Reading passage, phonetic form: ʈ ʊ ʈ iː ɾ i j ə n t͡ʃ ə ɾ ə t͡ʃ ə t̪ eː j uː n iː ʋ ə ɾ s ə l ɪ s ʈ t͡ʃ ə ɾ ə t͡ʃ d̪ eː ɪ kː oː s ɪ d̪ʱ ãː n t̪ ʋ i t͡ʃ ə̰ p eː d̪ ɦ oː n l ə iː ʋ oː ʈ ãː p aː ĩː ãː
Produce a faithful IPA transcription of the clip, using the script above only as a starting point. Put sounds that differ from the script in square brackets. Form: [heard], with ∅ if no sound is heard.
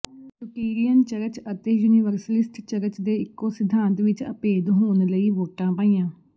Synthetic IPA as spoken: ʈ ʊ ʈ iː ɾ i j ə n t͡ʃ ə ɾ ə t͡ʃ ə t̪ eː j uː n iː ʋ ə ɾ s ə l ɪ s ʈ t͡ʃ ə ɾ ə t͡ʃ d̪ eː ɪ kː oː s ɪ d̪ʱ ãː n t̪ ʋ [ɪ] t͡ʃ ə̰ p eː d̪ ɦ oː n l ə iː ʋ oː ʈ ãː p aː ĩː ãː